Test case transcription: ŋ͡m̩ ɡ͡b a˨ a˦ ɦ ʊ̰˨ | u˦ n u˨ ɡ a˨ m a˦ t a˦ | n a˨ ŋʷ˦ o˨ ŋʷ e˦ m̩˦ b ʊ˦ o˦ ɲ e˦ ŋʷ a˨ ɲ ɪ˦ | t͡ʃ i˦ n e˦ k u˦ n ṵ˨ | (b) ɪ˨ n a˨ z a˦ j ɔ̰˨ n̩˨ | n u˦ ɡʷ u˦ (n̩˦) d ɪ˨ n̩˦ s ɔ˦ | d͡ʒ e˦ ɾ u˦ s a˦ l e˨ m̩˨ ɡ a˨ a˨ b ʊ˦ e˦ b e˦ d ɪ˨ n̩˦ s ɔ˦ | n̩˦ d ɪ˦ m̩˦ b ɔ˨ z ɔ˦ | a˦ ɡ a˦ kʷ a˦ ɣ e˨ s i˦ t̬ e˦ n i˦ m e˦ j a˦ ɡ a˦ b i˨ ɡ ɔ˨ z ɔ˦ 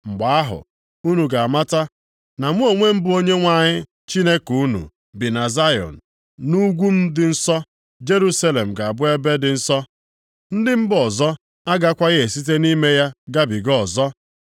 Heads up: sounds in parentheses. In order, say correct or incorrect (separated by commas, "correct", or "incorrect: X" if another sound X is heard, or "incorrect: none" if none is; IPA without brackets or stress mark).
correct, incorrect: m̩˦